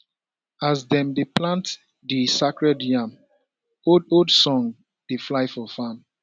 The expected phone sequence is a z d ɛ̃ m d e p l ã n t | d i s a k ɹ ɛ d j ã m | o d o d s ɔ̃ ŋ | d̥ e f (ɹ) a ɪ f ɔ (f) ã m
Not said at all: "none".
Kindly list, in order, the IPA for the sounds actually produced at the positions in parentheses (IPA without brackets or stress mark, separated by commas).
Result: l, f